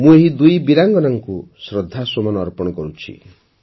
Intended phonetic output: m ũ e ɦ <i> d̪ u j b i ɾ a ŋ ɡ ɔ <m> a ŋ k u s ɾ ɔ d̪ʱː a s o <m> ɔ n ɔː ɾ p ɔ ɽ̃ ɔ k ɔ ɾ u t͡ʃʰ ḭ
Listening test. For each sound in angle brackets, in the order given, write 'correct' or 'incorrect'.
correct, incorrect: n, correct

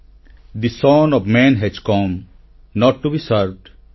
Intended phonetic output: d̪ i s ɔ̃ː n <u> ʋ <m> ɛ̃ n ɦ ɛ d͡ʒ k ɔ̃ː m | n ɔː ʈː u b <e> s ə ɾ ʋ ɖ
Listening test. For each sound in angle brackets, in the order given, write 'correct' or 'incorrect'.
incorrect: ɔ, correct, incorrect: i

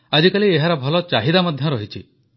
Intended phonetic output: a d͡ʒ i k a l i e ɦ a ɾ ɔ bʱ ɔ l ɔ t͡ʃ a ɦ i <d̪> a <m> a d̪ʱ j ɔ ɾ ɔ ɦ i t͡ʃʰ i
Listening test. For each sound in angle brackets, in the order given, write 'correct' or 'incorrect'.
correct, correct

